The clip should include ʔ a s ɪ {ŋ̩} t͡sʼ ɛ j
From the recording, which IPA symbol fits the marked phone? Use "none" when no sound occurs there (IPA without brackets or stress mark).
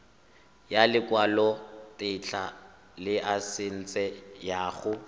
n̩